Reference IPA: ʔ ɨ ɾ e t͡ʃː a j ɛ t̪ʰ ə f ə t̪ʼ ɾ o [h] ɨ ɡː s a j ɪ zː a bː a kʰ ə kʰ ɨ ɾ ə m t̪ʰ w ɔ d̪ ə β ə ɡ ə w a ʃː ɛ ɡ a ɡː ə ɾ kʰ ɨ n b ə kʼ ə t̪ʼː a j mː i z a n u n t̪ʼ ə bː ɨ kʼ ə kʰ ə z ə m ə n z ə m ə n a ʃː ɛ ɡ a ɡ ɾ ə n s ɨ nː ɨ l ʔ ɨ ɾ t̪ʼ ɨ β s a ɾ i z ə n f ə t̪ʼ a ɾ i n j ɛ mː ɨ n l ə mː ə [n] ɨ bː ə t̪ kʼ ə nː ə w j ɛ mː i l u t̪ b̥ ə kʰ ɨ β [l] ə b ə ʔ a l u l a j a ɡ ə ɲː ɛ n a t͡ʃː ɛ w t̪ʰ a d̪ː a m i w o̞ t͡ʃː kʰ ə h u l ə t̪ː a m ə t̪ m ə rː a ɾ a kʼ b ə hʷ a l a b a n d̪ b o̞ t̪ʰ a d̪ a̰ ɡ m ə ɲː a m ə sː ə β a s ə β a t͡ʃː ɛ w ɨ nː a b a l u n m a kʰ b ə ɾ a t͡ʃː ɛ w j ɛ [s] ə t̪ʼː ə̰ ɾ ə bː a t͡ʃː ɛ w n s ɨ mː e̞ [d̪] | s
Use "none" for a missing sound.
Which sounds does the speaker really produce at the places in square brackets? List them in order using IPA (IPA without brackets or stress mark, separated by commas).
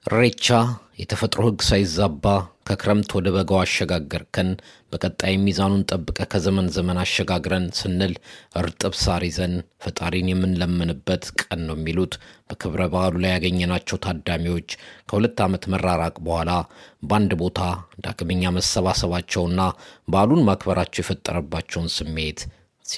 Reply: h, n, ɾ, f, t̪